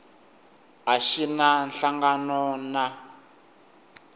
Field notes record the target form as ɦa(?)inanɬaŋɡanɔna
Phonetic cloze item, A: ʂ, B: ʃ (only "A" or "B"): B